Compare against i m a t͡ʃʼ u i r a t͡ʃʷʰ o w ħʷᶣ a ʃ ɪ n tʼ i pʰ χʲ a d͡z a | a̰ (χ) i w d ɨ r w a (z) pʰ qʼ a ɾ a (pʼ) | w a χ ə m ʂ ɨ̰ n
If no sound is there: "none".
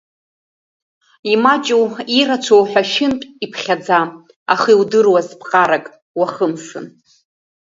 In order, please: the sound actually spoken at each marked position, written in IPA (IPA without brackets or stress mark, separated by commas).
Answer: χ, z, kʼ